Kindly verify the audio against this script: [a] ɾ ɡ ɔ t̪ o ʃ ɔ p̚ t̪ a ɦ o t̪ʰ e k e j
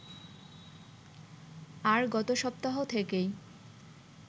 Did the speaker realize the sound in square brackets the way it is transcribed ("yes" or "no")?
yes